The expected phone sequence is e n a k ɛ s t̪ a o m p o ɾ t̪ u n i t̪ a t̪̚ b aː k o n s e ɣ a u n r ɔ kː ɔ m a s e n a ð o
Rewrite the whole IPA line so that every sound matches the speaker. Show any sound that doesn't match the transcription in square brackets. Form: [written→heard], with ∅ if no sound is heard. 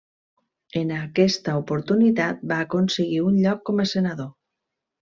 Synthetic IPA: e n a k ɛ s t̪ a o [m→∅] p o ɾ t̪ u n i t̪ a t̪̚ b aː k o n s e ɣ [a→i] u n [r→ʎ] ɔ kː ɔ m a s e n a ð o